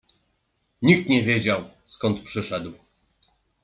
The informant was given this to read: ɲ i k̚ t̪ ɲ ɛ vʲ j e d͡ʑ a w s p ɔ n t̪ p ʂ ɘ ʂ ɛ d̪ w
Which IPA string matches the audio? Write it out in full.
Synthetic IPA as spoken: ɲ i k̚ t̪ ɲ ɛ vʲ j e d͡ʑ a w s k ɔ n t̪ p ʂ ɘ ʂ ɛ d̪ w

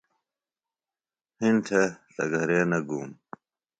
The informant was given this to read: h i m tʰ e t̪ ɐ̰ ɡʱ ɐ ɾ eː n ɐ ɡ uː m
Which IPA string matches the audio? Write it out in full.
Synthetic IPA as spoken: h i n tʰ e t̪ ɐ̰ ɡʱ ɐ ɾ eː n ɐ ɡ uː m

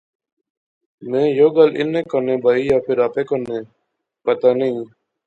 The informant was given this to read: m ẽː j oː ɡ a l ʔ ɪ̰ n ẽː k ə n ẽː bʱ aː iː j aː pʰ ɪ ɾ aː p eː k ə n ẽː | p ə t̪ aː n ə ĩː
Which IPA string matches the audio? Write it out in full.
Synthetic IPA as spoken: m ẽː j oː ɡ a l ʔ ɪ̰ n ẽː k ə n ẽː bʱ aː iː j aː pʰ ɪ ɾ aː p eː k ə n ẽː | p ə t̪ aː n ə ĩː

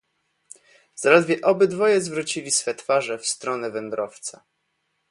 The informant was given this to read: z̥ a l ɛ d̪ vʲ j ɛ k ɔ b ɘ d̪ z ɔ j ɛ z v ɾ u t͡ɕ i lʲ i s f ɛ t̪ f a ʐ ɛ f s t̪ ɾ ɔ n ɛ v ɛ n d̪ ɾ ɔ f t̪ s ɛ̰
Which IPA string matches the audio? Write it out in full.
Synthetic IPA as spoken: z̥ a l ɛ d̪ vʲ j ɛ ʔ ɔ b ɘ d̪ v ɔ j ɛ z v ɾ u t͡ɕ i lʲ i s f ɛ t̪ f a ʐ ɛ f s t̪ ɾ ɔ n ɛ v ɛ n d̪ ɾ ɔ f t̪ s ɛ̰

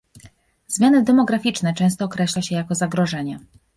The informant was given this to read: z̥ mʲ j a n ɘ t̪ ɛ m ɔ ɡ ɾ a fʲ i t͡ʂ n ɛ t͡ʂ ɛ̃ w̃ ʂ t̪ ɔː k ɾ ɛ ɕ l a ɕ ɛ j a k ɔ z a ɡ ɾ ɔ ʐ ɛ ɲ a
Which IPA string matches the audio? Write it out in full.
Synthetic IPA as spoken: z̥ mʲ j a n ɘ d̪ ɛ m ɔ ɡ ɾ a fʲ i t͡ʂ n ɛ t͡ʂ ɛ̃ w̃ s t̪ ɔː k ɾ ɛ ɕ l a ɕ ɛ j a k ɔ z a ɡ ɾ ɔ ʐ ɛ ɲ ɛ

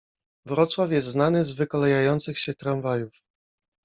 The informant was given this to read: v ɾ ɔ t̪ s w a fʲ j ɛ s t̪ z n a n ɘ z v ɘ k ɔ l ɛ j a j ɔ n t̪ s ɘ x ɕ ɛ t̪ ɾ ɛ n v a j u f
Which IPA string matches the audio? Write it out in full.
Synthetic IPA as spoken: v ɾ ɔ t̪ s w a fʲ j ɛ s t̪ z n a n ɘ z v ɘ k ɔ l ɛ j a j ɔ n t̪ s ɘ x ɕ ɛ t̪ ɾ a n v a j u f

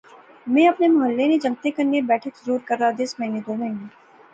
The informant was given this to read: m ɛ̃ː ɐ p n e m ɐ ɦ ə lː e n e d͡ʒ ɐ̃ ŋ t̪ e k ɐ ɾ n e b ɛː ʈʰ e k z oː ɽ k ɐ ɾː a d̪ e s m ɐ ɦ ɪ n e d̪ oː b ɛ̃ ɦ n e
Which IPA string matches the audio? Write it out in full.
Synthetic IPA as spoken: m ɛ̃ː ɐ p n e m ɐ ɦ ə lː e n e d͡ʒ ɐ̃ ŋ t̪ e k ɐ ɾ n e b ɛː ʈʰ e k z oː ɾ k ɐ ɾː a d̪ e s m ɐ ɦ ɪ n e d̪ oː m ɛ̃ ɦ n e

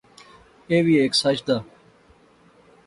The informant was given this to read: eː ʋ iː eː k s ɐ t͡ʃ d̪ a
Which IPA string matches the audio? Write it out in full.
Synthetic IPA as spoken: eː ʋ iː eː k s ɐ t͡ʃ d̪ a

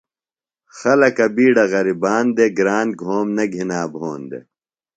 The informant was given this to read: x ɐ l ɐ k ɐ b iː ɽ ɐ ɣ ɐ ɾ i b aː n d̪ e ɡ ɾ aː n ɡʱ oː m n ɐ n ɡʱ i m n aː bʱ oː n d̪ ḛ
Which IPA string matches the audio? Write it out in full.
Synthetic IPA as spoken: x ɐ l ɐ k ɐ b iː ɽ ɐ ɣ ɐ ɾ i b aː n d̪ e ɡ ɾ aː n ɡʱ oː m n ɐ ɡʱ i n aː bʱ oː n d̪ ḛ

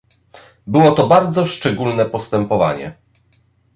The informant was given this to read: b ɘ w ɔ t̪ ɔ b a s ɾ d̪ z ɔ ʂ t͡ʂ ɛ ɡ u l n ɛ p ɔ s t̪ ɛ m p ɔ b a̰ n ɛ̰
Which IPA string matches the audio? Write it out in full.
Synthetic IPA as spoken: b ɘ w ɔ t̪ ɔ b a ɾ d̪ z ɔ ʂ t͡ʂ ɛ ɡ u l n ɛ p ɔ s t̪ ɛ m p ɔ v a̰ ɲ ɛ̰

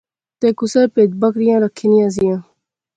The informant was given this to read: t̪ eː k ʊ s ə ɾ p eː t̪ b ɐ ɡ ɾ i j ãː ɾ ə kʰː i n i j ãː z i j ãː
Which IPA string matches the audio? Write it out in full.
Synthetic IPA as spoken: t̪ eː k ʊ s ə ɾ p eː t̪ b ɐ k ɾ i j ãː ɾ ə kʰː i n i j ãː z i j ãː

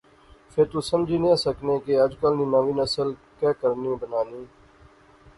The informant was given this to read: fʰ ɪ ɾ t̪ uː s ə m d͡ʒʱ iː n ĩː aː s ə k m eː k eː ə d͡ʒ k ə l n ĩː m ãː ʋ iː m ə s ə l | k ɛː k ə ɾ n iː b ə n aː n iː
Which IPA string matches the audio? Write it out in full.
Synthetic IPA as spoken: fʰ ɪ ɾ t̪ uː s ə m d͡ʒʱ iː n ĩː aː s ə k n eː k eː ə d͡ʒ k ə l n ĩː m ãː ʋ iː n ə s ə l | k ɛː k ə ɾ n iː b ə n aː n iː

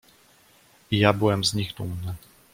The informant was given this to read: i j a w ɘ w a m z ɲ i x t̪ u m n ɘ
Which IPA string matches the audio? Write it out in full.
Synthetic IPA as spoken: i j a b ɘ w ɛ m z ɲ i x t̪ u m n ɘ

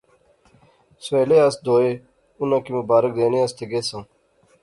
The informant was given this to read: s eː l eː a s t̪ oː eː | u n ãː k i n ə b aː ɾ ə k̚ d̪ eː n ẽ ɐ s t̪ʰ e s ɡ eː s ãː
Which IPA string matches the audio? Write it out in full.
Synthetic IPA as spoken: s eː l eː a s d̪ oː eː | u n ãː k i m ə b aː ɾ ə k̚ d̪ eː n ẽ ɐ s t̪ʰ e ɡ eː s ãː

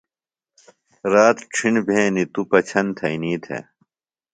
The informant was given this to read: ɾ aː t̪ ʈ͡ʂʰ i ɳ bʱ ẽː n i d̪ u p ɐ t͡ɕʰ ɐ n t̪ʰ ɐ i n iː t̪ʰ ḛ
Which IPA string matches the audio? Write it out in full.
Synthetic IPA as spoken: ɾ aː t̪ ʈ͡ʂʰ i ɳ bʱ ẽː n i t̪ u p ɐ t͡ɕʰ ɐ n t̪ʰ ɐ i n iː t̪ʰ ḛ

